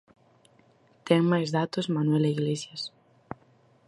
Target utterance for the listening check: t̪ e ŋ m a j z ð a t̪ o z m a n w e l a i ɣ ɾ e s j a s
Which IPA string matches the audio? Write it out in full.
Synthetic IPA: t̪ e ŋ m a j z ð a t̪ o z m a n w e l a i ɣ l e s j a s